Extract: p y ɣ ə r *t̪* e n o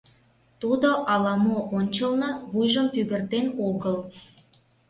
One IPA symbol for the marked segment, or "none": t̪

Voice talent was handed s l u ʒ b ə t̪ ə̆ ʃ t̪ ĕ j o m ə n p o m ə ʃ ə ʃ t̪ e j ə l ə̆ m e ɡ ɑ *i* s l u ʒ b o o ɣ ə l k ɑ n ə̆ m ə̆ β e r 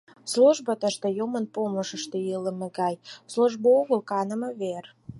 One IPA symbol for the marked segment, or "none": j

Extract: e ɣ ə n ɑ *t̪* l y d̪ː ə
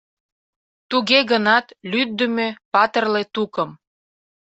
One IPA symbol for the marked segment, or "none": t̪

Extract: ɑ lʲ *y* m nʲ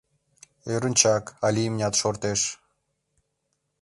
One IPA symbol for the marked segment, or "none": i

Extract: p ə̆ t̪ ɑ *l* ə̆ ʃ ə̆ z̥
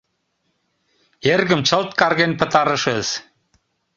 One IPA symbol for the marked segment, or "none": ɾ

